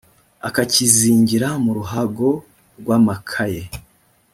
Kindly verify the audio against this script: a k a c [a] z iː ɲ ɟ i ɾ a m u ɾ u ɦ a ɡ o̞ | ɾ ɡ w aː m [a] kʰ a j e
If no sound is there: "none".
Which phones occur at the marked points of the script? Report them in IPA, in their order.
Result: i, a

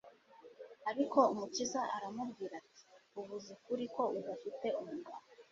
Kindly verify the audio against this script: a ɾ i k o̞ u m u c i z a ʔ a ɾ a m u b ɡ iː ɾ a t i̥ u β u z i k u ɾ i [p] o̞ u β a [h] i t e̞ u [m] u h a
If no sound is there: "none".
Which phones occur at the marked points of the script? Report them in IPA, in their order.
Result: k, f, m

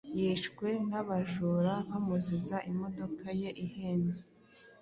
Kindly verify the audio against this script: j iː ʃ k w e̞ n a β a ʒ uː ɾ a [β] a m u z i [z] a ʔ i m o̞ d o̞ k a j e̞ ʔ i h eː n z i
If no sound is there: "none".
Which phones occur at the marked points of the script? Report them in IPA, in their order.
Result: β, z

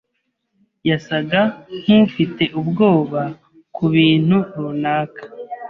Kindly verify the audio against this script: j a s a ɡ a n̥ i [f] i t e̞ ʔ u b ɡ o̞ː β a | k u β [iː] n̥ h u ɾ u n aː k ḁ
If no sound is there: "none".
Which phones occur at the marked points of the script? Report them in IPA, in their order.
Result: f, iː

